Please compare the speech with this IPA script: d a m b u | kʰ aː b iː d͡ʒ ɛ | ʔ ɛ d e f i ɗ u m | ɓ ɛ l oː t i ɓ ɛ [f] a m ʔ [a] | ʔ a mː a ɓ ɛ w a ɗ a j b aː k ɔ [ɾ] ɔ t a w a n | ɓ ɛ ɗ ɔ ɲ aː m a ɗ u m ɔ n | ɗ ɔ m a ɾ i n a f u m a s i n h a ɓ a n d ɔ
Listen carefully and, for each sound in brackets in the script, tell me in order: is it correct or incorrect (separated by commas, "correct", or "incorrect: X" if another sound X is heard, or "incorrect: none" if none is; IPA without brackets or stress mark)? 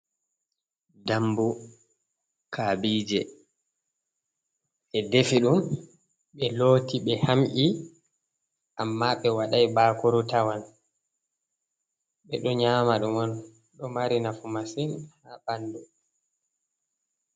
incorrect: h, incorrect: i, correct